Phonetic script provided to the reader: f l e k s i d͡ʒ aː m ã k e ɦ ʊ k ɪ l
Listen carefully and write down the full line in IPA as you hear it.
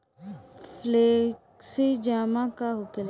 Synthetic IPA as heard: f l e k s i d͡ʒ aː m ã k a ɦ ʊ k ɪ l